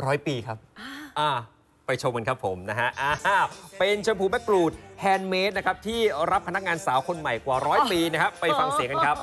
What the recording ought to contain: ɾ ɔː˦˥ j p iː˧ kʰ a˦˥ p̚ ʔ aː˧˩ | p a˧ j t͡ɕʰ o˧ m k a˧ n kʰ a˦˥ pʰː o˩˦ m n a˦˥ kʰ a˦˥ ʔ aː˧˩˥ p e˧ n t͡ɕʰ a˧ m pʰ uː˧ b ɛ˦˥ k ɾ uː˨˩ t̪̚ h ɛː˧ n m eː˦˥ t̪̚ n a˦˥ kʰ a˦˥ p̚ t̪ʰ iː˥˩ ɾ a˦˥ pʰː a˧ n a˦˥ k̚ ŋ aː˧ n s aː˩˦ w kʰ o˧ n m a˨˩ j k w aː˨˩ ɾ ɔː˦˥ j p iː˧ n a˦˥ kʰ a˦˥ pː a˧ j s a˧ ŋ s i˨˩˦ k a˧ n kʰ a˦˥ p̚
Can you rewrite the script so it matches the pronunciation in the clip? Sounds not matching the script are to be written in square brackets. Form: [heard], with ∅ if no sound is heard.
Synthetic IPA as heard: ɾ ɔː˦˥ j p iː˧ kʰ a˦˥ p̚ ʔ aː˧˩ | p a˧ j t͡ɕʰ o˧ m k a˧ n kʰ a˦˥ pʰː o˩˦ m n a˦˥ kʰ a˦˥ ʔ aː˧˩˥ p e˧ n t͡ɕʰ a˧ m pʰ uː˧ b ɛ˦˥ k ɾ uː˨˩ t̪̚ h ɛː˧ n m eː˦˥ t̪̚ n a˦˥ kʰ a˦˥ p̚ t̪ʰ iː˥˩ ɾ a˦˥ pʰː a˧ n a˦˥ k̚ ŋ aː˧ n s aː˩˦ w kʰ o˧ n m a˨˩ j k w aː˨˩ ɾ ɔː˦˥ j p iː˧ n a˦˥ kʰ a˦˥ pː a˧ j [f] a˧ ŋ s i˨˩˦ k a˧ n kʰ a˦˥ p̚